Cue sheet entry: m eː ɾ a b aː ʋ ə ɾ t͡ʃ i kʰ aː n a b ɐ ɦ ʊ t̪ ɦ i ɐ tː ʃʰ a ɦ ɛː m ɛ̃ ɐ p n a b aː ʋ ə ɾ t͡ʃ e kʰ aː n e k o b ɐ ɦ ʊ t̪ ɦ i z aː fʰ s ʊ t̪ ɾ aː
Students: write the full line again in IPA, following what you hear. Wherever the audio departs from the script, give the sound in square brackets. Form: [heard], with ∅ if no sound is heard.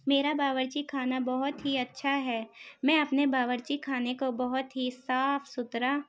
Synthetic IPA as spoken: m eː ɾ a b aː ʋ ə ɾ t͡ʃ i kʰ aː n a b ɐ ɦ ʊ t̪ ɦ i ɐ tː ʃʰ a ɦ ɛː m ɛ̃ ɐ p n [e] b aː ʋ ə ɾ t͡ʃ [i] kʰ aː n e k o b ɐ ɦ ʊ t̪ ɦ i [s] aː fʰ s ʊ t̪ ɾ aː